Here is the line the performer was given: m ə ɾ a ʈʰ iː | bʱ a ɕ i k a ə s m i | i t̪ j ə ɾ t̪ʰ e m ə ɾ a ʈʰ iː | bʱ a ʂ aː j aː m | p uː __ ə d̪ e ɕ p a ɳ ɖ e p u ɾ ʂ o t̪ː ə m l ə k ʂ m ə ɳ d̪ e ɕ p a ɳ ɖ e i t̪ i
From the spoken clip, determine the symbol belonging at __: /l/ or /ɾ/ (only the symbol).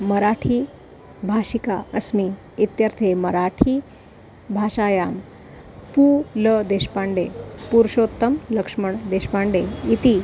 l